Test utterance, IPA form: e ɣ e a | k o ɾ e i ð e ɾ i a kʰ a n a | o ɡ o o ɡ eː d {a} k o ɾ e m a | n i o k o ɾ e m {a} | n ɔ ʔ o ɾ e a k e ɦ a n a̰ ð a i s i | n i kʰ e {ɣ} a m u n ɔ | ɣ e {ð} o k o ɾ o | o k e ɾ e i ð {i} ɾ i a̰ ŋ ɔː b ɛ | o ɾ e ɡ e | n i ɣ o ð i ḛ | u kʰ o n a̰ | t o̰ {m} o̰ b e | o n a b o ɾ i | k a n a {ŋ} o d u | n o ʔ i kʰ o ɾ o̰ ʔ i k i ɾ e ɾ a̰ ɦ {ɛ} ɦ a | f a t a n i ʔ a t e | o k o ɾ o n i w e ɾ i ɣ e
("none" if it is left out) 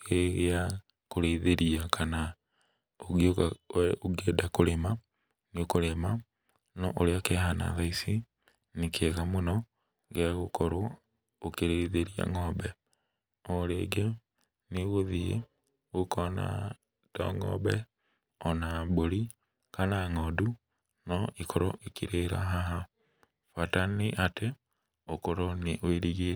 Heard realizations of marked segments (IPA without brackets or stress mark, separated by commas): a, a, ɣ, ɣ, e, ŋ, ŋ, a